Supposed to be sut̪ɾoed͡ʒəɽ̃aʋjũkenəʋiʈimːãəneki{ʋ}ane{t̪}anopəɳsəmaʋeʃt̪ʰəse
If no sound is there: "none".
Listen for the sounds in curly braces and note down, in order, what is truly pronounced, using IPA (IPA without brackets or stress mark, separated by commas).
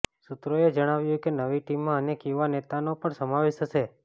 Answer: ʋ, t̪